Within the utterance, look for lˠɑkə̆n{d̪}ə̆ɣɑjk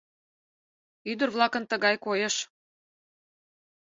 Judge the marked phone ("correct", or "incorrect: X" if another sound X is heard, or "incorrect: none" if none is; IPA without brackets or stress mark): incorrect: t̪